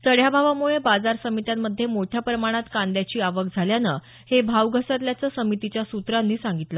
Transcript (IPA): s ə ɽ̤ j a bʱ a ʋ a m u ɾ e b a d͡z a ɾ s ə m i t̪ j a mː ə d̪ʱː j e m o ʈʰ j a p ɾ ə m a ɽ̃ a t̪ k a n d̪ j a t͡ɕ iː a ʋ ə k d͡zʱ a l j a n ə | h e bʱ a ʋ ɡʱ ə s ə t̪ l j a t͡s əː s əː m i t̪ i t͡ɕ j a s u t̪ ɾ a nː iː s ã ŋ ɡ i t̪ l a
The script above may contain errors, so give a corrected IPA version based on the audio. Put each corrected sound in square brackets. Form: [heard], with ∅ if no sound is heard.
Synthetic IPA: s ə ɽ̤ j a bʱ a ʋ a m u [ɭ] e b a d͡z a ɾ s ə m i t̪ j a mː ə d̪ʱː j e m o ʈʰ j a p ɾ ə m a ɽ̃ a t̪ k a n d̪ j a t͡ɕ iː a ʋ ə k d͡zʱ a l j a n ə | h e bʱ a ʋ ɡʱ ə s ə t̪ l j a t͡s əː s [ə] m i t̪ i t͡ɕ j a s u t̪ ɾ a nː iː s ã ŋ ɡ i t̪ l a